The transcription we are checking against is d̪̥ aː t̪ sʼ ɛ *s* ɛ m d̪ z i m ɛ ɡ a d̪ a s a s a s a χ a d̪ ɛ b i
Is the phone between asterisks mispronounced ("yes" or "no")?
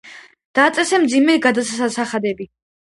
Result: no